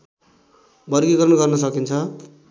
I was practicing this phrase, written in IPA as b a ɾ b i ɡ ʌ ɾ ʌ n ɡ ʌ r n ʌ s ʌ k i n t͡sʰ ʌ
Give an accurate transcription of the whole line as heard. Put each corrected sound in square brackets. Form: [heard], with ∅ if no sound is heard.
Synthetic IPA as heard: b [ʌ] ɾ [ɡ] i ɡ ʌ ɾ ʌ n ɡ ʌ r n ʌ s ʌ k i n t͡sʰ ʌ